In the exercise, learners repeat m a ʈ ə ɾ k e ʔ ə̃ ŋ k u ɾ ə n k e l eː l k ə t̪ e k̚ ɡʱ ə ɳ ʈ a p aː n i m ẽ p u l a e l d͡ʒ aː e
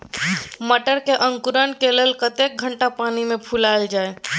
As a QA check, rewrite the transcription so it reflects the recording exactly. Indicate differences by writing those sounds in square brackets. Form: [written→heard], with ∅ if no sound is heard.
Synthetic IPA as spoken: m [a→ə] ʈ ə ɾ k e ʔ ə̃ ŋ k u ɾ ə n k e l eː l k ə t̪ e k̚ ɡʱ ə ɳ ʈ a p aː n i m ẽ [p→pʰ] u l a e l d͡ʒ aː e